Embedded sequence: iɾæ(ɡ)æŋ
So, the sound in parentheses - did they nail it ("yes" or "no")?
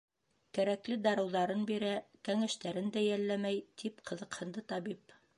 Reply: no